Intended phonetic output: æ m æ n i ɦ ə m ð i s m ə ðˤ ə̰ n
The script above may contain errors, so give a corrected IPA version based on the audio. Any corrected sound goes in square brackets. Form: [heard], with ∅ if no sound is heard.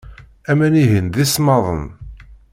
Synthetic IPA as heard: æ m æ n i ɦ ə [n] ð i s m [ɑ] ðˤ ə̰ n